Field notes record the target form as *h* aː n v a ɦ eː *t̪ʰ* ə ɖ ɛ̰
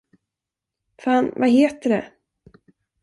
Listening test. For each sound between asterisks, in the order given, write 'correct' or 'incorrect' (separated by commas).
incorrect, incorrect